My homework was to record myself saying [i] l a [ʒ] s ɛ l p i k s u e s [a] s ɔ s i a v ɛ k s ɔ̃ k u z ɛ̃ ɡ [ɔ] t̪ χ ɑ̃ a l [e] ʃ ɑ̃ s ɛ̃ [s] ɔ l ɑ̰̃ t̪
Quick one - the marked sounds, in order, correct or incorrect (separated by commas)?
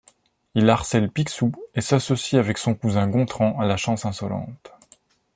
correct, incorrect, correct, incorrect, incorrect, correct